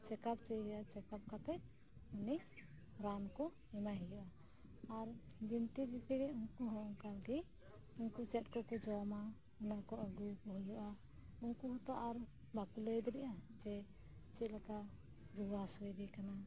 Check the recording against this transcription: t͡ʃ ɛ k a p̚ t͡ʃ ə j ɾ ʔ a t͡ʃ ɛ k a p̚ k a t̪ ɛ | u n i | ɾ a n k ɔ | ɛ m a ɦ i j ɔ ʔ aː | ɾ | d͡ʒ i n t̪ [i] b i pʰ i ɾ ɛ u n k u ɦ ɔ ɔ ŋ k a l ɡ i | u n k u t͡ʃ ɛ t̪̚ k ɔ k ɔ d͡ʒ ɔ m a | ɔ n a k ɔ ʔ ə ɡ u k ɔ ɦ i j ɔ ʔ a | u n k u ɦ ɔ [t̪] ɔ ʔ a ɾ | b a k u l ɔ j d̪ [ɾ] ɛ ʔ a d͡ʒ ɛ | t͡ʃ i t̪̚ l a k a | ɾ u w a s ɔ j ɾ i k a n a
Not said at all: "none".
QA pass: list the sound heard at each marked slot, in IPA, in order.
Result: i, t̪, ɾ

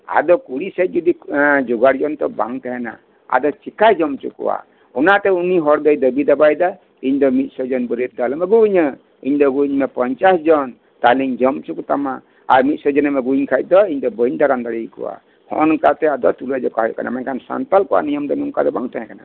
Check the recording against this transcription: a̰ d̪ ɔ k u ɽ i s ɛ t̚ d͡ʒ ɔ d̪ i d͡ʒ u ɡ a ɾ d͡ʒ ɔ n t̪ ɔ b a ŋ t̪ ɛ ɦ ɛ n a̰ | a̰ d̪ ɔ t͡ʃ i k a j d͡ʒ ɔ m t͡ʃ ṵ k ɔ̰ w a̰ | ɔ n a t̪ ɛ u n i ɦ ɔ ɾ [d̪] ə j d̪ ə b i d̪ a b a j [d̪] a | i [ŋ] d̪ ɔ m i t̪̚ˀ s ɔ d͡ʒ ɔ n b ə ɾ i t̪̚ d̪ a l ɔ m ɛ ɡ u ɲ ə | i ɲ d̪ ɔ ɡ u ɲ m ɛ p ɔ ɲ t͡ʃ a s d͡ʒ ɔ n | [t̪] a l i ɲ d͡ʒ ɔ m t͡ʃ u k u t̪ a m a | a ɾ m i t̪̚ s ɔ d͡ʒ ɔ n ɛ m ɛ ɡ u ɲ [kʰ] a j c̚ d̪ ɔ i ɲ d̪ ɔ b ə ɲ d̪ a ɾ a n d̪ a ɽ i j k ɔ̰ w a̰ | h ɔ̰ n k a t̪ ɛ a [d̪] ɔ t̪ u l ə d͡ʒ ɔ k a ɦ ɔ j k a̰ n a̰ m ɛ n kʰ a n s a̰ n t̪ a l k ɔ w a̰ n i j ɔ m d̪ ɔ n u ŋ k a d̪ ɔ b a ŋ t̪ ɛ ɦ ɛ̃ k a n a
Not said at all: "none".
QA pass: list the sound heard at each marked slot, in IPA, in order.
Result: d̪, d̪, ɲ, t̪, kʰ, d̪

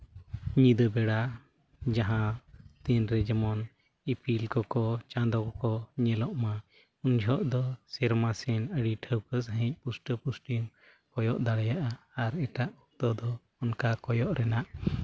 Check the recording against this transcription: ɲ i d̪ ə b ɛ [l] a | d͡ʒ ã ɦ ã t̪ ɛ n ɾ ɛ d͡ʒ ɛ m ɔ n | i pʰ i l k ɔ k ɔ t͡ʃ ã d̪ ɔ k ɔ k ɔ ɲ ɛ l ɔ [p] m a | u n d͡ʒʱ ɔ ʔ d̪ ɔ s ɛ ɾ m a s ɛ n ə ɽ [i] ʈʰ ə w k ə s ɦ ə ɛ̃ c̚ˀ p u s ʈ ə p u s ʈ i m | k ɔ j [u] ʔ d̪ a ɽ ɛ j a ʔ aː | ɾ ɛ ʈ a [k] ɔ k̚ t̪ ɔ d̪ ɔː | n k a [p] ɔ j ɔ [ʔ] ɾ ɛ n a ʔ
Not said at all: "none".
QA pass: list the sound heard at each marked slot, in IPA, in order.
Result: ɽ, ʔ, i, ɔ, ʔ, k, ʔ

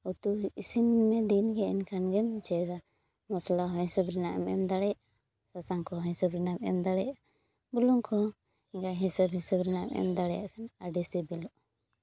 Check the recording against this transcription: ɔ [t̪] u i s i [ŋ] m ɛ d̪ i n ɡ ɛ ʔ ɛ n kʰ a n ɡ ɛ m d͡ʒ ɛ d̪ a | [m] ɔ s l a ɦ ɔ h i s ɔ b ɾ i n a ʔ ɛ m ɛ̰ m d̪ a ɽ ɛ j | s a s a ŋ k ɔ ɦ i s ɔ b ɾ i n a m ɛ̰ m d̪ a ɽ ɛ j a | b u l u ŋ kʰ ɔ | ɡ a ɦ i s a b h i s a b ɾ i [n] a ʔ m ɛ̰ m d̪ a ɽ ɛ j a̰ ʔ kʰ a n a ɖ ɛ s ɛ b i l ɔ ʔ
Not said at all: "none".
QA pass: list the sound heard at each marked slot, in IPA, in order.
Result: t̪, n, m, n

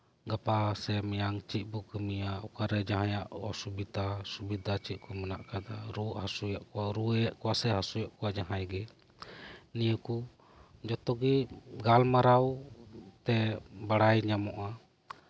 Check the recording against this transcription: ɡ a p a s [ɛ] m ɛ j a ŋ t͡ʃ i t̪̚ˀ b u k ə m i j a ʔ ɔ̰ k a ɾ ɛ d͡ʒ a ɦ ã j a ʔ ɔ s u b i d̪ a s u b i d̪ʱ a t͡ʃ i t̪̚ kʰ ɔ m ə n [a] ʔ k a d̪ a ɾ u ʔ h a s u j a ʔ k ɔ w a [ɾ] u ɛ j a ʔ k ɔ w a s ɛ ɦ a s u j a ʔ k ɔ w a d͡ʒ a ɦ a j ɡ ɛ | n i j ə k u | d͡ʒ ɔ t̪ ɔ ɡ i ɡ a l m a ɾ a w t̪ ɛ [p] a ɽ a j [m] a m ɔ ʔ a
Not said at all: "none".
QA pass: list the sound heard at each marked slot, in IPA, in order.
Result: ɛ, a, ɾ, b, ɲ

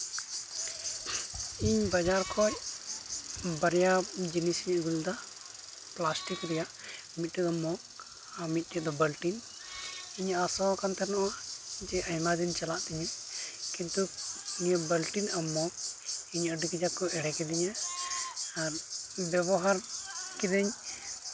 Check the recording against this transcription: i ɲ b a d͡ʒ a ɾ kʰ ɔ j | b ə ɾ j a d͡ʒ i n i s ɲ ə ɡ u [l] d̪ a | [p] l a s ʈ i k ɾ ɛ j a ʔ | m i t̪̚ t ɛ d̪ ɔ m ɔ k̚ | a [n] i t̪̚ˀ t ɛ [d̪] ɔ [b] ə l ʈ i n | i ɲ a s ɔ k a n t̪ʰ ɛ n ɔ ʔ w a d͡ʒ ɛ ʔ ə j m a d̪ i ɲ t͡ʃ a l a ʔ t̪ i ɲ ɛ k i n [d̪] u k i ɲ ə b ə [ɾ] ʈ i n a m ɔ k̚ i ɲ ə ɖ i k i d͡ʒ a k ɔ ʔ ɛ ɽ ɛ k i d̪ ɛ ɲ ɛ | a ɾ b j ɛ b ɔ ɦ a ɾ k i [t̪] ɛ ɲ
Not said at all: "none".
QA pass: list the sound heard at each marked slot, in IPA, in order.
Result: l, p, m, d̪, b, t̪, l, d̪

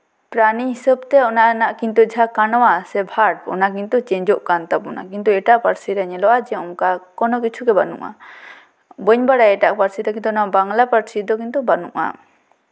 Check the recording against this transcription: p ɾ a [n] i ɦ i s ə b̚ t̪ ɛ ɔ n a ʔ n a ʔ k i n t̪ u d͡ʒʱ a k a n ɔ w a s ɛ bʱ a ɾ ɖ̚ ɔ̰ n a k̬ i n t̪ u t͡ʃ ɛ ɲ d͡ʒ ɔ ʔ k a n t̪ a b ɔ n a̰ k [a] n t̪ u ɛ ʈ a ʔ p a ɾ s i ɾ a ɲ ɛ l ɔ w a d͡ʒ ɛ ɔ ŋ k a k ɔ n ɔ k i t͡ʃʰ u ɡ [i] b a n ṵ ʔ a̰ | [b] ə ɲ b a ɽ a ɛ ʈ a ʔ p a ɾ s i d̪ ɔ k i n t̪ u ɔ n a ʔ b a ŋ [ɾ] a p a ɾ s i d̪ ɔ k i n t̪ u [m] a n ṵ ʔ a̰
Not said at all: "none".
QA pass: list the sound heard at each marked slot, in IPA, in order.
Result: n, i, ɛ, b, l, b

